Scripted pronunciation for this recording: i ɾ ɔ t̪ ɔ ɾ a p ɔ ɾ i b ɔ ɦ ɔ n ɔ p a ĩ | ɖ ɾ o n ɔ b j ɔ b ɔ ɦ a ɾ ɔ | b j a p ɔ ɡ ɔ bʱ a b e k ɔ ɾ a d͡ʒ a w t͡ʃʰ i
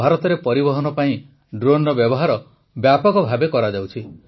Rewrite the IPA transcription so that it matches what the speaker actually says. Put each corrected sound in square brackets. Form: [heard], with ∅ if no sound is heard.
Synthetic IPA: [a] ɾ ɔ t̪ ɔ ɾ [e] p ɔ ɾ i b ɔ ɦ ɔ n ɔ p a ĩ | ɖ ɾ o n ɔ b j ɔ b ɔ ɦ a ɾ ɔ | b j a p ɔ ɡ ɔ bʱ a b e k ɔ ɾ a d͡ʒ a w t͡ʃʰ i